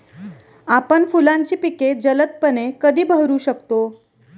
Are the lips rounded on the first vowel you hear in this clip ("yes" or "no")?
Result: no